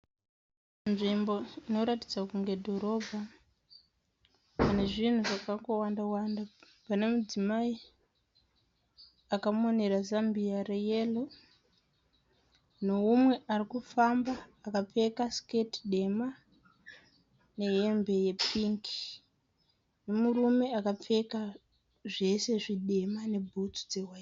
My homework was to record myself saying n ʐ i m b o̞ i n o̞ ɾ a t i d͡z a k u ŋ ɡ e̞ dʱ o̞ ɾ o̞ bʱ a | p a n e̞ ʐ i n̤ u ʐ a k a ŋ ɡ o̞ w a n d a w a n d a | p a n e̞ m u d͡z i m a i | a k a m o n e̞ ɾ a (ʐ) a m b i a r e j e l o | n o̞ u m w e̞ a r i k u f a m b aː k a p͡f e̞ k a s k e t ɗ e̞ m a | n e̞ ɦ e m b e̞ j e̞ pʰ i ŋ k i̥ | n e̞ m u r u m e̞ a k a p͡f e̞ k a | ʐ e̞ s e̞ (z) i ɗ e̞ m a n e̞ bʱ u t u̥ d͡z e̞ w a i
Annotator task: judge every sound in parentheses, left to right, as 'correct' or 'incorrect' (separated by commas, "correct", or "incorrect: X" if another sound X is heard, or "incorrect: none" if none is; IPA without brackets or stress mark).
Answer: incorrect: z, incorrect: ʐ